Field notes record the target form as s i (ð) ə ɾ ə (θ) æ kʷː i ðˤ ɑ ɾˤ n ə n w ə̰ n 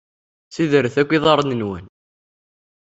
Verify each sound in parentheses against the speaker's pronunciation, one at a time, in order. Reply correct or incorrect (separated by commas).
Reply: correct, correct